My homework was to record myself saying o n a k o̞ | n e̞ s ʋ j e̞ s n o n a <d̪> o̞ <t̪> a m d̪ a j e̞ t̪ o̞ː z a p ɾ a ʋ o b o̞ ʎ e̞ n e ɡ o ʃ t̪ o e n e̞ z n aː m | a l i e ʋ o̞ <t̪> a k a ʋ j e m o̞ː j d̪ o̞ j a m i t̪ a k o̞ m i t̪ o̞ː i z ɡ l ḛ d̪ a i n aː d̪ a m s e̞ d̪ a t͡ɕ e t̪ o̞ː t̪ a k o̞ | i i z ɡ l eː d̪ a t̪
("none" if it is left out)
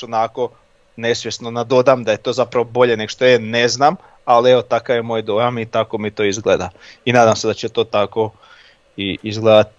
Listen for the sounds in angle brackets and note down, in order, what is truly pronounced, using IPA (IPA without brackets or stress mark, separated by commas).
d̪, d̪, t̪